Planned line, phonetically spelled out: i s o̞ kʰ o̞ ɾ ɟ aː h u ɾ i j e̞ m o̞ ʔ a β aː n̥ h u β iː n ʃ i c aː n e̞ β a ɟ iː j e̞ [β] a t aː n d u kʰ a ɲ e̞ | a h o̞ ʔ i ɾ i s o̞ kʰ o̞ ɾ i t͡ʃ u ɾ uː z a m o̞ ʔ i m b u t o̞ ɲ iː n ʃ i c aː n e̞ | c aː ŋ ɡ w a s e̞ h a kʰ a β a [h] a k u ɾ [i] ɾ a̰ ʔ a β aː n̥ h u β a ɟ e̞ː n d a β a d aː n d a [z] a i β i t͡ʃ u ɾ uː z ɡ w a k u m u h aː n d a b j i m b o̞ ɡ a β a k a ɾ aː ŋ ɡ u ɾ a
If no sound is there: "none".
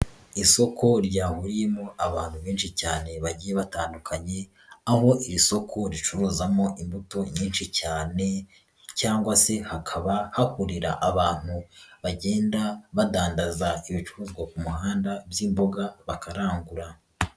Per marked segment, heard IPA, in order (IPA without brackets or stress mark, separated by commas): β, h, i, z